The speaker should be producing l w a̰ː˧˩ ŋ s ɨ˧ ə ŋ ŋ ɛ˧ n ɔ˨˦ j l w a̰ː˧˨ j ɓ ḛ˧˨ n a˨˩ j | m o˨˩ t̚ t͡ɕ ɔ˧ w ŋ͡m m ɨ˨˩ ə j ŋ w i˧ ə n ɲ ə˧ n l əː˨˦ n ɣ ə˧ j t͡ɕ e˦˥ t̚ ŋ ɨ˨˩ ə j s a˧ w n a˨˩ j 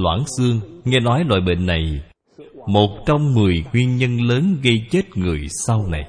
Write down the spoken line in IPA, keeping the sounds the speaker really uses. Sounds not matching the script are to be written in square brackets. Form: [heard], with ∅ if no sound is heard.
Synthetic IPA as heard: l w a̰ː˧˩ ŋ s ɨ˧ ə ŋ ŋ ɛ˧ n ɔ˨˦ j l w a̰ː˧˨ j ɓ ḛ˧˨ [nː] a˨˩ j | m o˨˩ t̚ t͡ɕ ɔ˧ w ŋ͡m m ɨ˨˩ ə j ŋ w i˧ ə n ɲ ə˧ n l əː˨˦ n ɣ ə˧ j t͡ɕ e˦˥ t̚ ŋ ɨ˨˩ ə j s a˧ w n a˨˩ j